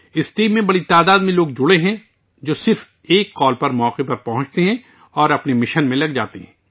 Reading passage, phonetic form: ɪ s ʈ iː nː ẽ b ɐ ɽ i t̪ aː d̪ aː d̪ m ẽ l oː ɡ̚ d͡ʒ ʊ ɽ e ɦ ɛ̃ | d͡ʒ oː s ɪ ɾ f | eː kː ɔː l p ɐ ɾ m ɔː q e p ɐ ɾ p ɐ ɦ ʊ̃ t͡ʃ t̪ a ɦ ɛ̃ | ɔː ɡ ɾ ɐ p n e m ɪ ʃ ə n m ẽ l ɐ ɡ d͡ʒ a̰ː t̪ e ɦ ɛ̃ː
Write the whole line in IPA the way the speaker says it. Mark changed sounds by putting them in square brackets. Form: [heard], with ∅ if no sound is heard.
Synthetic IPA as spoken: ɪ s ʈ iː [mː] ẽ b ɐ ɽ i t̪ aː d̪ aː d̪ m ẽ l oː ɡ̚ d͡ʒ ʊ ɽ e ɦ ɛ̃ | d͡ʒ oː s ɪ ɾ f | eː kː ɔː l p ɐ ɾ m ɔː q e p ɐ ɾ p ɐ ɦ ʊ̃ t͡ʃ t̪ [e] ɦ ɛ̃ | ɔː [∅] ɾ ɐ p n e m ɪ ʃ ə n m ẽ l ɐ ɡ d͡ʒ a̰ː t̪ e ɦ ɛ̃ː

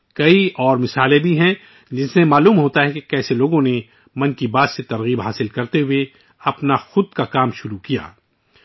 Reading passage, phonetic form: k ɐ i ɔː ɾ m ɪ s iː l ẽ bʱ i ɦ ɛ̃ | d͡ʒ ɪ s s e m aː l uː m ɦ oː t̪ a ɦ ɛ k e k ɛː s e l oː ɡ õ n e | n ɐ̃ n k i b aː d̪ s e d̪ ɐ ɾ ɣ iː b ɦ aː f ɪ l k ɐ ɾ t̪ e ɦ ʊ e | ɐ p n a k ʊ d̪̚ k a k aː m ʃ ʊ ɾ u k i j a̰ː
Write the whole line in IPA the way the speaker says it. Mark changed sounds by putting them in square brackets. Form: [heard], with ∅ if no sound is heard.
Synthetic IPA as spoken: k ɐ i ɔː ɾ m ɪ s [aː] l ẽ bʱ i ɦ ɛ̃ | d͡ʒ ɪ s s e m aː l uː m ɦ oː t̪ a ɦ ɛ k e k ɛː s e l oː ɡ õ n e | [m] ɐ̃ n k i b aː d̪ s e [t̪] ɐ ɾ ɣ iː b ɦ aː [s] ɪ l k ɐ ɾ t̪ e ɦ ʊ e | ɐ p n a [x] ʊ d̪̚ k a k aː m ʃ ʊ ɾ u k i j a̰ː

